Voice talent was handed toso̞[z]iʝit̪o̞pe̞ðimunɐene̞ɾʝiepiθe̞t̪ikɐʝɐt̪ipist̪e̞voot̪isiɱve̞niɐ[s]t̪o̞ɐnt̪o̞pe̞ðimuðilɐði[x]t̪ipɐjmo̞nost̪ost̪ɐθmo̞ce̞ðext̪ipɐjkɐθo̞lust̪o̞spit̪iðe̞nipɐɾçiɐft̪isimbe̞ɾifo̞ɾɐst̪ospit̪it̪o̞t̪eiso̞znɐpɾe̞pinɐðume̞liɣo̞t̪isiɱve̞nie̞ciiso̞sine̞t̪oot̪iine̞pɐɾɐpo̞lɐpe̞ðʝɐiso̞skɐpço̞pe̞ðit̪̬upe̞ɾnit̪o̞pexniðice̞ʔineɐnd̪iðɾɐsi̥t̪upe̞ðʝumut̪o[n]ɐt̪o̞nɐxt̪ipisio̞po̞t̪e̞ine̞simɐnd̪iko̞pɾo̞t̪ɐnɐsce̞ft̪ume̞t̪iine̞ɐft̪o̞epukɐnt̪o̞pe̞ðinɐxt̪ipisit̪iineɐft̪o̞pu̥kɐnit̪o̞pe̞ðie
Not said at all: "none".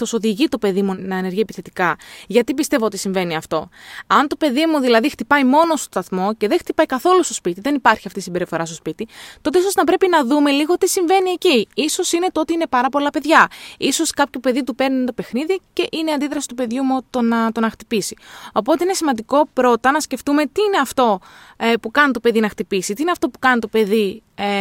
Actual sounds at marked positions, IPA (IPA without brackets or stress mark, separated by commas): ð, f, x, n